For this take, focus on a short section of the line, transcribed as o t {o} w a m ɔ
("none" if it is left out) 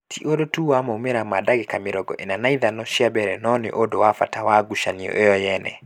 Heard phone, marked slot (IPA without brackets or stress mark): u